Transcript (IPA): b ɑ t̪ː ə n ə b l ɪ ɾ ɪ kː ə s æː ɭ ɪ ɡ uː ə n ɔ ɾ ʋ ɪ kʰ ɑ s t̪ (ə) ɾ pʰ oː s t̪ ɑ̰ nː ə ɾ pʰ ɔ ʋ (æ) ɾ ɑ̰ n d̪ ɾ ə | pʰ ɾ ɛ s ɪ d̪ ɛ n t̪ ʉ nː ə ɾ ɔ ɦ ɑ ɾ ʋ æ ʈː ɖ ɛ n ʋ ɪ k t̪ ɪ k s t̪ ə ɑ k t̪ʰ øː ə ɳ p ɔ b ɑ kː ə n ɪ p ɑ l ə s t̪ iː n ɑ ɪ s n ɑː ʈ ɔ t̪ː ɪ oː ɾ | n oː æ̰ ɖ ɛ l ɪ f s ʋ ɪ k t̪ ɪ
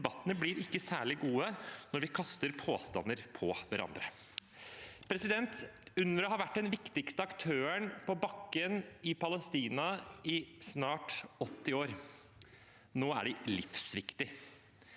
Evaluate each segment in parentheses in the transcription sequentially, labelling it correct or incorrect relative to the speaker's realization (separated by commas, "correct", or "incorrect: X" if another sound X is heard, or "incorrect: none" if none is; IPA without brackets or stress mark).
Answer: correct, correct